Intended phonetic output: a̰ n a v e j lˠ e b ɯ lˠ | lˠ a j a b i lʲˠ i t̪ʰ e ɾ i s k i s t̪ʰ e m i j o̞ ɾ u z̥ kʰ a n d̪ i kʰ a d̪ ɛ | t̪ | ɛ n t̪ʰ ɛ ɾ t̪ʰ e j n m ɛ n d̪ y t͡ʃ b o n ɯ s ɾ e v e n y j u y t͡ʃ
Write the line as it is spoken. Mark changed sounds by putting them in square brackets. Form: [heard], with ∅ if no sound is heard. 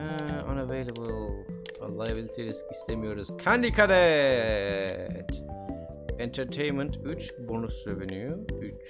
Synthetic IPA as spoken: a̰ n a v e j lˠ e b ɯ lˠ | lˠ a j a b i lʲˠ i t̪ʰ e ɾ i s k i s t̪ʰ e m i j o̞ ɾ u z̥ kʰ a n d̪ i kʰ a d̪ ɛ | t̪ | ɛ n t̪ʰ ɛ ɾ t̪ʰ e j n m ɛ n [t̪] y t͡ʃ b o n [u] s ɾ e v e n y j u y t͡ʃ